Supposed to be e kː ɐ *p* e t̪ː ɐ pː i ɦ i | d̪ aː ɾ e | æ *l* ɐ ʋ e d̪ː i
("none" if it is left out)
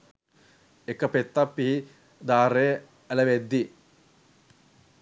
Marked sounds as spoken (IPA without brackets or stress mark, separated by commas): p, l